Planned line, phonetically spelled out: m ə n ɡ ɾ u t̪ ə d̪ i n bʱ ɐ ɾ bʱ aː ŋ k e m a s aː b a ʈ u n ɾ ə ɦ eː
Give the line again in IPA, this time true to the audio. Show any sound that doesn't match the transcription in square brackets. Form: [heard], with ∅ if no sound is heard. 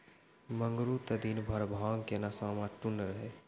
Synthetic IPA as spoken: m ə [ŋ] ɡ ɾ u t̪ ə d̪ i n bʱ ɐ ɾ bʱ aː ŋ k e [n] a s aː [m] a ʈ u n ɾ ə ɦ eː